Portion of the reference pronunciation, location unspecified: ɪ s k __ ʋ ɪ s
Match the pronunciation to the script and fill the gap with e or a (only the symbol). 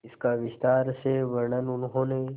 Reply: a